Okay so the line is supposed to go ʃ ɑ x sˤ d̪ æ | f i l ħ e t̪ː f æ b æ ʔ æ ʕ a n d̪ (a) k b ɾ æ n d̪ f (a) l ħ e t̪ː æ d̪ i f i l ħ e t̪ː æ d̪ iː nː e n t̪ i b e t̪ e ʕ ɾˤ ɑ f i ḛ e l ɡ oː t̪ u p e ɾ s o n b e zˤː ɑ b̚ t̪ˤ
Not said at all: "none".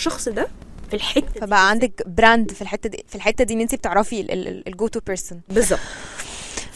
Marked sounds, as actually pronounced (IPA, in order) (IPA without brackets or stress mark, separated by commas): æ, i